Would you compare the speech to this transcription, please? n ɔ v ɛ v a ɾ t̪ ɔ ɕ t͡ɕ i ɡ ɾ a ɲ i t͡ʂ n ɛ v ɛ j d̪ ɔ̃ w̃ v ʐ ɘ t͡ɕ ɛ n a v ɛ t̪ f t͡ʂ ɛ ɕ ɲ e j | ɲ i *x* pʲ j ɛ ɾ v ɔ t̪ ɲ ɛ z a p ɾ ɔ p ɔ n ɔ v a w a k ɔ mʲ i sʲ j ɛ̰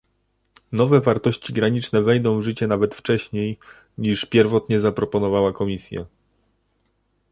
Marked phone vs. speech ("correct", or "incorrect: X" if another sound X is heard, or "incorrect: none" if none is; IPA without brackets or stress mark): incorrect: ʂ